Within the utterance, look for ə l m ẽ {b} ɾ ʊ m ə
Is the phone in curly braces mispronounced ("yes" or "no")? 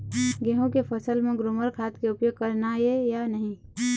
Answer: yes